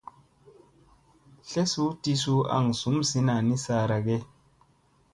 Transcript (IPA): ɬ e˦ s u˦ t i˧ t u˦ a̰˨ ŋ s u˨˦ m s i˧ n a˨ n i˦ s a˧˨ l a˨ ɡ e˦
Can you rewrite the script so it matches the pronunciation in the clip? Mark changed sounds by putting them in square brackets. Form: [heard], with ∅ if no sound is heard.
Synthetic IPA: ɬ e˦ s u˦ t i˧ [s] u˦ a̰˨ ŋ s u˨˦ m s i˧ n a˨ n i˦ s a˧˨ [ɾ] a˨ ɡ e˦